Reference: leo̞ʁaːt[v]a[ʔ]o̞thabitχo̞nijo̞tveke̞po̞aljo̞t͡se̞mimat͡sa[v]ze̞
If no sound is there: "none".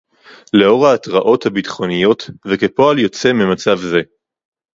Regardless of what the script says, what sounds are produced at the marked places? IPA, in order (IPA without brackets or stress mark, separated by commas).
ʁ, ʔ, v